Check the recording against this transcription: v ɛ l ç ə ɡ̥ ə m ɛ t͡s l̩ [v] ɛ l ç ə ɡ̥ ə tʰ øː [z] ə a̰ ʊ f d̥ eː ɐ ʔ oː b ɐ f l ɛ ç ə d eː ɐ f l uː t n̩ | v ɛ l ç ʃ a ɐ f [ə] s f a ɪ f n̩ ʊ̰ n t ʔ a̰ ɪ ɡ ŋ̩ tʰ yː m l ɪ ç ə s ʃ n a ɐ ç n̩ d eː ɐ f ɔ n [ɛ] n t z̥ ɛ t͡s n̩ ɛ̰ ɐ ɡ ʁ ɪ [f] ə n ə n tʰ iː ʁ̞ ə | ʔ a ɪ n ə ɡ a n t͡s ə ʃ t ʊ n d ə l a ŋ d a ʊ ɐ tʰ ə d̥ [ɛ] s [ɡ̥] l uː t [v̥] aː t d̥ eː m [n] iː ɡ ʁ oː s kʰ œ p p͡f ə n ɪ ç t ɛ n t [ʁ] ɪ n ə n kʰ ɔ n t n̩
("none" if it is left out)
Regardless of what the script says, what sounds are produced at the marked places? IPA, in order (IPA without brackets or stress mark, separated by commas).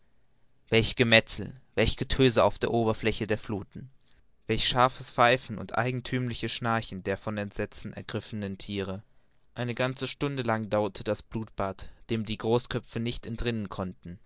v, z, ə, ɛ, f, a, b̥, b̥, d, ʁ